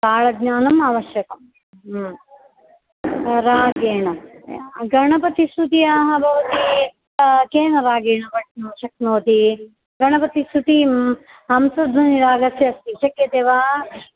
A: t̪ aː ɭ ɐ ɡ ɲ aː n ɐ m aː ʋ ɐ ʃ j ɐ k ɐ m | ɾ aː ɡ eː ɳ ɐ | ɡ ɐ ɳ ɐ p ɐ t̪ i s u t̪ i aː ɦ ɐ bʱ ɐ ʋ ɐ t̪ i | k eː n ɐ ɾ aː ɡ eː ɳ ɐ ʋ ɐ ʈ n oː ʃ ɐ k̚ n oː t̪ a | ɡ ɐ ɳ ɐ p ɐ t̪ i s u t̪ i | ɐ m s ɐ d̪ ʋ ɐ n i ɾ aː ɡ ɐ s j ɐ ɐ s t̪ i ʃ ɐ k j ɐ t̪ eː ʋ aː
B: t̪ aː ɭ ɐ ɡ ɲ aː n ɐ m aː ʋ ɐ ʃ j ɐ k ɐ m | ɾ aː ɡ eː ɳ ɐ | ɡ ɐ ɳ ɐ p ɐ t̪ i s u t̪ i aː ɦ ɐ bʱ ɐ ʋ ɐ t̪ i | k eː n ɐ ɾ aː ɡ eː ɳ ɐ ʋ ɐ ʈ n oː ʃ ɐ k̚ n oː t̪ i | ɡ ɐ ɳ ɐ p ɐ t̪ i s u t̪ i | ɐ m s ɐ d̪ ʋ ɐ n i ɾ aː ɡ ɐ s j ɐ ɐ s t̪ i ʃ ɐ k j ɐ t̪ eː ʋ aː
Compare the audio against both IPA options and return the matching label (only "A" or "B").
B